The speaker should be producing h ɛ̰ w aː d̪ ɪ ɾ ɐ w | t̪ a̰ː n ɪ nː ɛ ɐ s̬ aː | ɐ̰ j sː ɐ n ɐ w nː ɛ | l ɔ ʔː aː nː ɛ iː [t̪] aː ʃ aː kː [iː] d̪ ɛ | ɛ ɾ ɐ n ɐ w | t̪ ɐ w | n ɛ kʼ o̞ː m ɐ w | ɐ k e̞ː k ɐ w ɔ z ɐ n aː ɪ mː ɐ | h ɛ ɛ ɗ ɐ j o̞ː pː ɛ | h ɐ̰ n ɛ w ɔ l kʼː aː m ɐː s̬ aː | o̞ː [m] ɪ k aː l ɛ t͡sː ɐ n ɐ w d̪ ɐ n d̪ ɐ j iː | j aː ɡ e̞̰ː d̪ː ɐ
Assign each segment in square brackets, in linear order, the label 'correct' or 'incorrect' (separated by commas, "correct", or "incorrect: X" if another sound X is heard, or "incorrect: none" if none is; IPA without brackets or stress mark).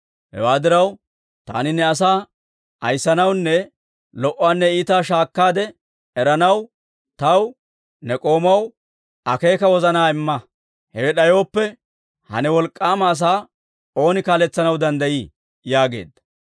correct, incorrect: aː, incorrect: n